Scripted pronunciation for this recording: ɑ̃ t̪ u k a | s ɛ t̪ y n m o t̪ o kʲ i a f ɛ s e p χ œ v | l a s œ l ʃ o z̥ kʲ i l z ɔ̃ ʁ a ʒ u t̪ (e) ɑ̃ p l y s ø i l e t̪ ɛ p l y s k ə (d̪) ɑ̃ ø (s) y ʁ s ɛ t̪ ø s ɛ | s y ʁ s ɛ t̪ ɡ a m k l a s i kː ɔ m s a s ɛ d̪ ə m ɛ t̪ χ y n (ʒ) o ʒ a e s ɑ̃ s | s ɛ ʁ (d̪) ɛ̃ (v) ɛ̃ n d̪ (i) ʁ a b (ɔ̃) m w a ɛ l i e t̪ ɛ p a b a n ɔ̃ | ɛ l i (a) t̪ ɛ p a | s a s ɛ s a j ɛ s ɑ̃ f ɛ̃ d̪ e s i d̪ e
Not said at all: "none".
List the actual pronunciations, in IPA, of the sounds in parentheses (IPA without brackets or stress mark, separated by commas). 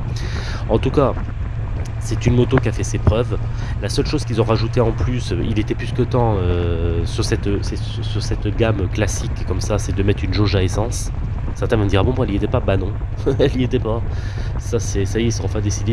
e, t̪, s, ʒ, t̪, v, i, ɔ̃, e